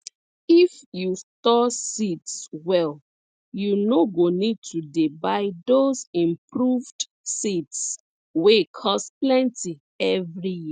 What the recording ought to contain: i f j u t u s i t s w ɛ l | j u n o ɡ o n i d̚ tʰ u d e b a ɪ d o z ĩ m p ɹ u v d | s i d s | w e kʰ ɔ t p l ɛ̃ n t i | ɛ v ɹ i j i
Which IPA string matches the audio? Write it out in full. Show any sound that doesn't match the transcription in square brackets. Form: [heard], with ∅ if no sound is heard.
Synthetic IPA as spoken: i f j u t [ɔ] s i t s w ɛ l | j u n o ɡ o n i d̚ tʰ u d e b a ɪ d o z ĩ m p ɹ u v d | s i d s | w e kʰ ɔ [s] p l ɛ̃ n t i | ɛ v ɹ i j i

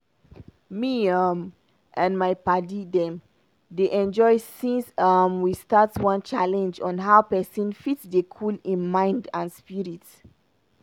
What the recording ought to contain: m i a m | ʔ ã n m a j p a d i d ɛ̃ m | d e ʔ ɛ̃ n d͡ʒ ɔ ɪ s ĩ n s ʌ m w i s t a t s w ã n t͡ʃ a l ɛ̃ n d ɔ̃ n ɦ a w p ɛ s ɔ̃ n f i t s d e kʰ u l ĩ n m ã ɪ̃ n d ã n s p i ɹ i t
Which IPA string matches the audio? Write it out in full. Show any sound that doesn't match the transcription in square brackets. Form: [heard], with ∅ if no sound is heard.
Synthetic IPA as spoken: m i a m | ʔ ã n m a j p a d i d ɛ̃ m | d e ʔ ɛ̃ n d͡ʒ ɔ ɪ s ĩ n s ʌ m w i s t a t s w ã n t͡ʃ a l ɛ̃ n [d͡ʒ] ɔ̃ n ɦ a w p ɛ s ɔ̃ n f i t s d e kʰ u l ĩ n m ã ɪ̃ n d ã n s p i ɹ i t

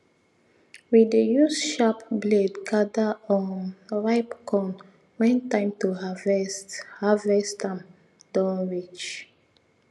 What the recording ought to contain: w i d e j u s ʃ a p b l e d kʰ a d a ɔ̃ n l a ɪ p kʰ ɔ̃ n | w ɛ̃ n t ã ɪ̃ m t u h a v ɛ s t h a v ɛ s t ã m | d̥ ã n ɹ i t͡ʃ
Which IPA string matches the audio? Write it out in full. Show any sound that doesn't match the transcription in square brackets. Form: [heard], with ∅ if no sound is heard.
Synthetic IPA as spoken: w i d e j u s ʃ a p b l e d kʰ a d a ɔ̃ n [ɹ] a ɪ p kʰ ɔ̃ n | w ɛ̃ n t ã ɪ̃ m t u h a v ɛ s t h a v ɛ s t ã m | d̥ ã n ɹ i t͡ʃ

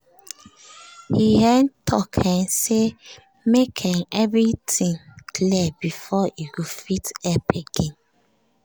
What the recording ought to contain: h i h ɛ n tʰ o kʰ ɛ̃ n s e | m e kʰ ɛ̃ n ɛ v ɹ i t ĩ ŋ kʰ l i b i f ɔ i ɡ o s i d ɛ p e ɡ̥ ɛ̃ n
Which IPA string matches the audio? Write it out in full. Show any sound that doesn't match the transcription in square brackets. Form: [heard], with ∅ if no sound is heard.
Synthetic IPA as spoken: h i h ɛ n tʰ [ɔ] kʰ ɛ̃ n s e | m e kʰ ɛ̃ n ɛ v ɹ i t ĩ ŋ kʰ l i b i f ɔ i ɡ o [f] i [t] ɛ p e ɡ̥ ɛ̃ n

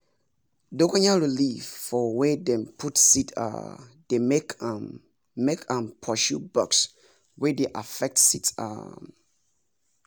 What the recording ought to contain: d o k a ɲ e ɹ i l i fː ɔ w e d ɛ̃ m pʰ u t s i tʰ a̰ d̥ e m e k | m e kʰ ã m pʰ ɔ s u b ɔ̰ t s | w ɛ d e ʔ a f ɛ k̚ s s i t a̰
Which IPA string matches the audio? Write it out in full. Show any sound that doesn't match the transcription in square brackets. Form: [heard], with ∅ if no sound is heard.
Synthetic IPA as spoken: d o k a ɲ [a] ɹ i l i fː ɔ w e d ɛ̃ m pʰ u t s i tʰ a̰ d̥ e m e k | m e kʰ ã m pʰ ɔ [ʃ] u b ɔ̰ [k] s | w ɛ d e ʔ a f ɛ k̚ [t] s i t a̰

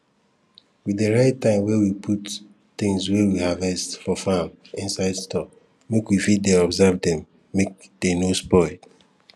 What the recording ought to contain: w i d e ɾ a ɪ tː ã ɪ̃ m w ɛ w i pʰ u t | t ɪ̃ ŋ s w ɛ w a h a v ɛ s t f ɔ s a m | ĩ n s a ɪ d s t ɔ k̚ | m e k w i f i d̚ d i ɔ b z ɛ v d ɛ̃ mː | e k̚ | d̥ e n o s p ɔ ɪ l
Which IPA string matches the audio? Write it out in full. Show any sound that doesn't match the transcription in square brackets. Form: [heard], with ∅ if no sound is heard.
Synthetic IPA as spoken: w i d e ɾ a ɪ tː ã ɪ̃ m w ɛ w i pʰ u t | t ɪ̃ ŋ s w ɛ w [i] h a v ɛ s t f ɔ [f] a m | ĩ n s a ɪ d s t ɔ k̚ | m e k w i f i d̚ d [e] ɔ b z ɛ v d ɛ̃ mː | e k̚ | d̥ e n o s p ɔ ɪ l

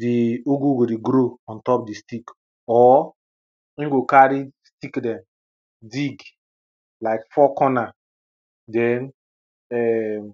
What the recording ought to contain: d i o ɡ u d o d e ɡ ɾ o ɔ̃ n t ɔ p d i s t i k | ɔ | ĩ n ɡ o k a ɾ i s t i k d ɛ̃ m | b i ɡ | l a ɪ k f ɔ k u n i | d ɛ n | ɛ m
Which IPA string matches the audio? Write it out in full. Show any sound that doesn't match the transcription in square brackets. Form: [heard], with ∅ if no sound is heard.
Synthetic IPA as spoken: d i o ɡ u [ɡ] o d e ɡ ɾ o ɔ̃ n t ɔ p d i s t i k | ɔ | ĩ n ɡ o k a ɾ i s t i k d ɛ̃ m | [d] i ɡ | l a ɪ k f ɔ k [ɔ] n [a] | d ɛ n | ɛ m

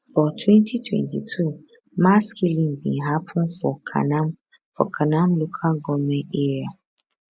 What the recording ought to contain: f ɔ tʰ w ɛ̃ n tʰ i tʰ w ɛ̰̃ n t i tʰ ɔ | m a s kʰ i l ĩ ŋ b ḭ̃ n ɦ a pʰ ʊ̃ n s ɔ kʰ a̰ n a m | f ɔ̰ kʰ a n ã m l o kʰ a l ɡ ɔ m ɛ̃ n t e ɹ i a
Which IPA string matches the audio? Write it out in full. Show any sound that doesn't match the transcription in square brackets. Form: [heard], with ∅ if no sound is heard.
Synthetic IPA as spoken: f ɔ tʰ w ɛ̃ n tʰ i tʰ w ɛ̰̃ n t i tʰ [u] | m a s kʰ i l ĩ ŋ b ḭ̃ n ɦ a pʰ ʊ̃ n [f] ɔ kʰ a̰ n a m | f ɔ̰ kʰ a n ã m l o kʰ a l ɡ ɔ m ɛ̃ n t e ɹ i a

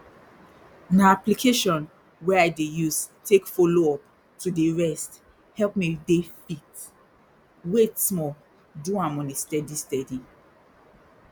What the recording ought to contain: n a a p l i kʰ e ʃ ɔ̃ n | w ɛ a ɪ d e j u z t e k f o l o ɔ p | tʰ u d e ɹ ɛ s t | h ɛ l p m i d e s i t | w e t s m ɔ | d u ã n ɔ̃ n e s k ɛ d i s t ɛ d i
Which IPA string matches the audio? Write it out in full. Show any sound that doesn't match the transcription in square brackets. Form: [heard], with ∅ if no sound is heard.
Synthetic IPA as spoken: n a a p l i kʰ e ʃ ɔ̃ n | w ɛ a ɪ d e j u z t e k f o l o ɔ p | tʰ u d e ɹ ɛ s t | h ɛ l p m i d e [f] i t | w e t s m ɔ | d u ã [m] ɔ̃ n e s [t] ɛ d i s t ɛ d i

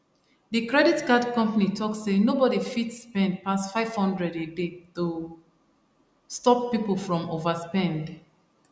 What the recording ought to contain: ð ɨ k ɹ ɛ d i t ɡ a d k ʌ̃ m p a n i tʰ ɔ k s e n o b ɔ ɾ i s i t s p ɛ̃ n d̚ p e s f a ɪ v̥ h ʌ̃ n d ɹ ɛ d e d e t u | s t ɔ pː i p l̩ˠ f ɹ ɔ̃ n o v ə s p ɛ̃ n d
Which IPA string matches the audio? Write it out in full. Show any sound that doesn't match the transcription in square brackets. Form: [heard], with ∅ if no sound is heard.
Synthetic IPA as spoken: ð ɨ k ɹ ɛ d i t ɡ a d k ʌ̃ m p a n i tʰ ɔ k s e n o b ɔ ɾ i [f] i t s p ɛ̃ n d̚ p [a] s f a ɪ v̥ h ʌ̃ n d ɹ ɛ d e d e t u | s t ɔ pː i p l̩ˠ f ɹ ɔ̃ [m] o v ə s p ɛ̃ n d

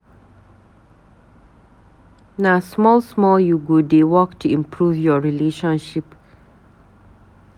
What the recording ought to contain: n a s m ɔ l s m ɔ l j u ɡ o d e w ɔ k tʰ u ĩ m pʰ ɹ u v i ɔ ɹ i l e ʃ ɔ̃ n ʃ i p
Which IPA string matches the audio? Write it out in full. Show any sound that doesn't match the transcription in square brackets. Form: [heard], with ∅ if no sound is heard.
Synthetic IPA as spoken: n a s m ɔ l s m ɔ l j u ɡ o d e w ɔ k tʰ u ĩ m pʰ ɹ u v [j] ɔ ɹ i l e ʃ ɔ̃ n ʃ i p

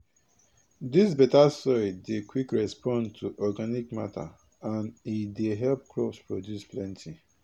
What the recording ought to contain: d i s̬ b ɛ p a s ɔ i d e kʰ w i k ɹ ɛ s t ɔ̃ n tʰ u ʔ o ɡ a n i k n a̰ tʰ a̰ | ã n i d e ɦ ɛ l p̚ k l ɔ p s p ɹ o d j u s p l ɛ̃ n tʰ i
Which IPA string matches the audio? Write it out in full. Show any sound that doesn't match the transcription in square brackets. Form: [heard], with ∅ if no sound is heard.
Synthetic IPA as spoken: d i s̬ b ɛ [t] a s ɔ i d e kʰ w i k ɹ ɛ s [p] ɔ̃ n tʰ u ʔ [ɔ] ɡ a n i k [m] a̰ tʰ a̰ | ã n i d e ɦ ɛ l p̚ k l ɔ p s p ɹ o d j u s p l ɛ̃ n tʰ i

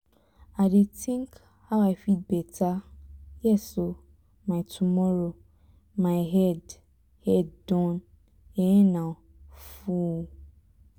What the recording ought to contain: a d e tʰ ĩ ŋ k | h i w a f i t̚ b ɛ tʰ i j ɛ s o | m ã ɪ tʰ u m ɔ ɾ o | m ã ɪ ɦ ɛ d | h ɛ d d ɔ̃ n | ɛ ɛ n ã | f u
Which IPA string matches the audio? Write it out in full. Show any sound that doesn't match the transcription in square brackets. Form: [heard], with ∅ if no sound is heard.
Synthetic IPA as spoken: a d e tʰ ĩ ŋ k | h [a] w a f i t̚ b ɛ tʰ [a] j ɛ s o | m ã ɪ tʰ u m ɔ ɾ o | m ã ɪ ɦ ɛ d | h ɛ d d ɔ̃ n | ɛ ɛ n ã | f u

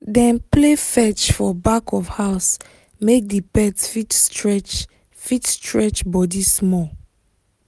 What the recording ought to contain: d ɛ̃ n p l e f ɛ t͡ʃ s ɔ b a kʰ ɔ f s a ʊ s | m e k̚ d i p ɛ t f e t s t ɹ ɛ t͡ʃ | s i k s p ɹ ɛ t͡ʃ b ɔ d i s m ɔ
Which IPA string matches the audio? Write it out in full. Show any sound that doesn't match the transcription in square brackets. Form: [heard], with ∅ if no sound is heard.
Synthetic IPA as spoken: d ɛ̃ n p l e f ɛ t͡ʃ [f] ɔ b a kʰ ɔ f [h] a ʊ s | m e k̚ d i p ɛ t f [i] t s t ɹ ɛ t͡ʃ | [f] i [t] s [t] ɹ ɛ t͡ʃ b ɔ d i s m ɔ

